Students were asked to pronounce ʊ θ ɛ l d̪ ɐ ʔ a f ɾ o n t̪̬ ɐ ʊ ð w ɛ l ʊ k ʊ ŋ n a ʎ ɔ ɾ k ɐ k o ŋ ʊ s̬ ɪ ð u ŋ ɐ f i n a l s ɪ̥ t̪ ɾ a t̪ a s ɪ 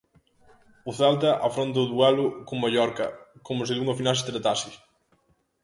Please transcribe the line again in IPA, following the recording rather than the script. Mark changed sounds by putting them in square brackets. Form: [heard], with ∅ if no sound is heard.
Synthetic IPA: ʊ θ ɛ l [t̪] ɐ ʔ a f ɾ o n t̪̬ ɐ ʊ ð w ɛ l ʊ k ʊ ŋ [m] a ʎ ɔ ɾ k ɐ k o [m] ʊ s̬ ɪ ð u ŋ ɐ f i n a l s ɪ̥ t̪ ɾ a t̪ a s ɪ